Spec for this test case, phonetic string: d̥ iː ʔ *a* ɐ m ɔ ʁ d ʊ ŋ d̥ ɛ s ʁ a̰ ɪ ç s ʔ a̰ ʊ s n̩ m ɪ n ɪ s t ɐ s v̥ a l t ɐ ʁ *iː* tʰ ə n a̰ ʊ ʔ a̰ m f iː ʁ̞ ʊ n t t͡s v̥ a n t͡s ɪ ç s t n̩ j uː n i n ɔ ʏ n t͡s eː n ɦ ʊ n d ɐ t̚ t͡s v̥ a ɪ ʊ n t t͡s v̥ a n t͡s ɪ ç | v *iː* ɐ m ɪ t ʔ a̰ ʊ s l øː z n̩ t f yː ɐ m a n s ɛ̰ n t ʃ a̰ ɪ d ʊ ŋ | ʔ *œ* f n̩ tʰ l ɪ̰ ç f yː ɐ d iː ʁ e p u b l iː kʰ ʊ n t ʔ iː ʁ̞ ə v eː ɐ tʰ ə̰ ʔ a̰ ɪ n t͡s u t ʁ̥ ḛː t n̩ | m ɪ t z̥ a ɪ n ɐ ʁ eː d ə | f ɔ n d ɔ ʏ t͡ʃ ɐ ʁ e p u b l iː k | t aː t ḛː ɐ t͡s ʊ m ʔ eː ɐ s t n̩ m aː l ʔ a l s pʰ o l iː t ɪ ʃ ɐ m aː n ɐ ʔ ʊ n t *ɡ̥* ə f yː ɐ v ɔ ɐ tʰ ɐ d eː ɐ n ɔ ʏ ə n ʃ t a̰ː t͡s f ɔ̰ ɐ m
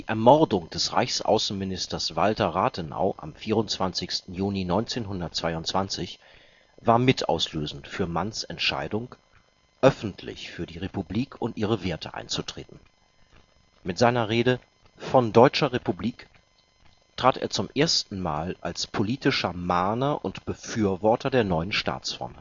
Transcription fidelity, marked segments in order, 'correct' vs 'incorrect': incorrect, incorrect, incorrect, correct, incorrect

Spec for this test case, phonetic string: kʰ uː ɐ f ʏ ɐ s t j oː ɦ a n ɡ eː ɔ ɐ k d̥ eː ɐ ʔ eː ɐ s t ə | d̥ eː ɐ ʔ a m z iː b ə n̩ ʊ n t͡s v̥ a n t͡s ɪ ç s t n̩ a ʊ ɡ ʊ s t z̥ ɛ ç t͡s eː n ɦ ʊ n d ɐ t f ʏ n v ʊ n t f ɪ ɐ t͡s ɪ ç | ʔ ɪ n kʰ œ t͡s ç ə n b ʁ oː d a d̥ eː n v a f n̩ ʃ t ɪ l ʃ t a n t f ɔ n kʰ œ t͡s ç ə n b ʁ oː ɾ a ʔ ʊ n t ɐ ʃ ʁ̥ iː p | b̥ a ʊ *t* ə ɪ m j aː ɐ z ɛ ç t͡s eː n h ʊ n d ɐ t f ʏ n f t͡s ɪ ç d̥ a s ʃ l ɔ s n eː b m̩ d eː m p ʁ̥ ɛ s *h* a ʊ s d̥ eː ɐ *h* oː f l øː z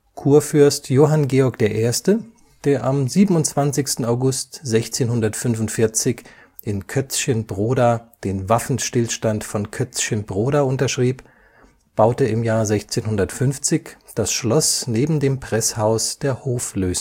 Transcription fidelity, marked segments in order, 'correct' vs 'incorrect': correct, correct, correct

